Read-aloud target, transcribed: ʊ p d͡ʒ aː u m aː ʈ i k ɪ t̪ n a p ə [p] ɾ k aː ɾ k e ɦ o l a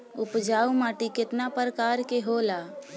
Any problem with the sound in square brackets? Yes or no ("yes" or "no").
yes